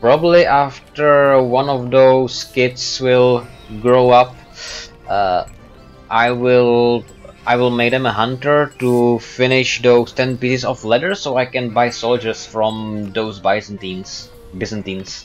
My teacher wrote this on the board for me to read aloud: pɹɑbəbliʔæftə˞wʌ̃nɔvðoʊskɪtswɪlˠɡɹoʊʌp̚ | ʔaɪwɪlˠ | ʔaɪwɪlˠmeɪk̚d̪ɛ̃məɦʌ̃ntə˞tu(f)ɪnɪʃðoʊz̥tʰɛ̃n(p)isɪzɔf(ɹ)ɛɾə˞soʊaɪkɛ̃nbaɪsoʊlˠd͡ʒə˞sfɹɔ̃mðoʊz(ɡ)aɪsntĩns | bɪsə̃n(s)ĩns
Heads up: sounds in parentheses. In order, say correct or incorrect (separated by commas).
correct, correct, incorrect, incorrect, incorrect